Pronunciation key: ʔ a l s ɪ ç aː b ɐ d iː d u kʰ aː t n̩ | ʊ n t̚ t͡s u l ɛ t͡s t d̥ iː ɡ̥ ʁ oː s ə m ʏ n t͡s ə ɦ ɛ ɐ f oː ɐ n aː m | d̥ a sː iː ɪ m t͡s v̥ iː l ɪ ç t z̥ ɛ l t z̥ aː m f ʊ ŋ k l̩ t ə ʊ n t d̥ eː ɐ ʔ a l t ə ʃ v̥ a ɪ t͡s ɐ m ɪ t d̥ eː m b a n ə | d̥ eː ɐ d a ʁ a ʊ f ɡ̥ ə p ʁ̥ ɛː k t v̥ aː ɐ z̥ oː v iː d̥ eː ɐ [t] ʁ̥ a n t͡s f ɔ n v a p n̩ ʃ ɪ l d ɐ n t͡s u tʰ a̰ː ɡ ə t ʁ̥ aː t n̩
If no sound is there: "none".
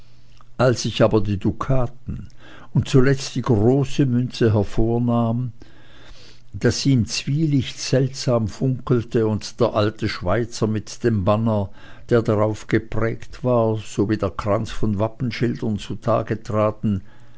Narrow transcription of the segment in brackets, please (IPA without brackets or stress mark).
k